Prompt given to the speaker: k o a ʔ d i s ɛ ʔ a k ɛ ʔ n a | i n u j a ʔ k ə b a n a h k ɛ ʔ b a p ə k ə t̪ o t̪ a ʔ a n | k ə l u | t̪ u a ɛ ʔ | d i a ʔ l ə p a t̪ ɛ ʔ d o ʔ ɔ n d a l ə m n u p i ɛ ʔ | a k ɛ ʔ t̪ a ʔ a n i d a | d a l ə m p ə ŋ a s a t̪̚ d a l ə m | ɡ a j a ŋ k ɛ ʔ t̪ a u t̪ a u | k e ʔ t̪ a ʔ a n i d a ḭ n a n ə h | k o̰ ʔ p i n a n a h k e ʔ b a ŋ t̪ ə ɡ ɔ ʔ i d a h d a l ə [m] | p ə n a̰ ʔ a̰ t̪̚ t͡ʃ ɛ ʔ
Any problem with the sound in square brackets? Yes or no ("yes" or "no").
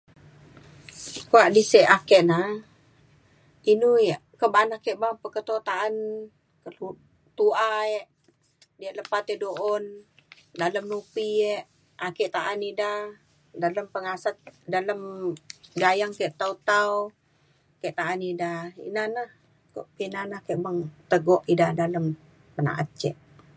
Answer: no